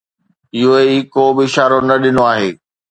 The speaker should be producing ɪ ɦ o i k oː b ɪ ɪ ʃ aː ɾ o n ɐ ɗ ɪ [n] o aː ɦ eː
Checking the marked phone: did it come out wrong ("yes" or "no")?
no